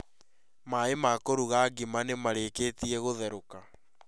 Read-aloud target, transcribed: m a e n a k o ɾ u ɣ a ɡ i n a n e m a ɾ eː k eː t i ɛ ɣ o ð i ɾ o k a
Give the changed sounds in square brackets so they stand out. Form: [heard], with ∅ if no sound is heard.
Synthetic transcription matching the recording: m a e [m] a k o ɾ u ɣ a ɡ i [m] a n e m a ɾ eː k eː t i ɛ ɣ o ð [ɛ] ɾ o k a